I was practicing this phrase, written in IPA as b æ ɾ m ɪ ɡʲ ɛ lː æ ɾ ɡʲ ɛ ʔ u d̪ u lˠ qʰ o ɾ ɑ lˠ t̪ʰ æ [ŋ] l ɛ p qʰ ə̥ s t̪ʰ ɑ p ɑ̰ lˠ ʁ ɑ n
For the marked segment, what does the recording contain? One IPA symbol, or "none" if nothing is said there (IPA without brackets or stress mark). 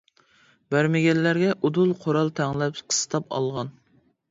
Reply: ŋ